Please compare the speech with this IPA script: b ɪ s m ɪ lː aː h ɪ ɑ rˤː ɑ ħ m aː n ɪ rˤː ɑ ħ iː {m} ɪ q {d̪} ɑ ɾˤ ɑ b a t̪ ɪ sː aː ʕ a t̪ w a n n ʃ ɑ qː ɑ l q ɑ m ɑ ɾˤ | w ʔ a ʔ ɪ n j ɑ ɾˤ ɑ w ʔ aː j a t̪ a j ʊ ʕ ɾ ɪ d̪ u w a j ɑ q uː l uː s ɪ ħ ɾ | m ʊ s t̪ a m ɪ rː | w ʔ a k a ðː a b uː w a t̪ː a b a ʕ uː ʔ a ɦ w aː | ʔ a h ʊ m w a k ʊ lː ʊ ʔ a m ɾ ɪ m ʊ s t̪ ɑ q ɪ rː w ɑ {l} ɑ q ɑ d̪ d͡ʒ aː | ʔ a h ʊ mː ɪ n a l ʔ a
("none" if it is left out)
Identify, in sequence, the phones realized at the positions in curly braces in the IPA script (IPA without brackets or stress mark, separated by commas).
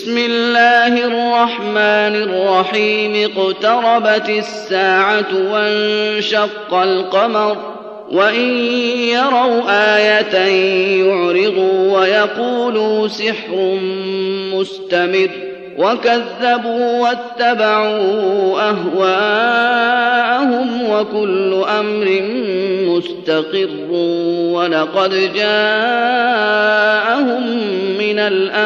m, t̪, l